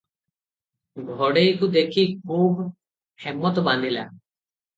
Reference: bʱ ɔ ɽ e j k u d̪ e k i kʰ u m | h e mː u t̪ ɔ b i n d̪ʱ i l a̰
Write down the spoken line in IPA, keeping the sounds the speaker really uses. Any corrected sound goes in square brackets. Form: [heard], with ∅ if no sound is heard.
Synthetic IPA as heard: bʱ ɔ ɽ e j k u d̪ e [kʰ] i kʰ u [b] | h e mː [ɔ] t̪ ɔ b [a] n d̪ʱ i l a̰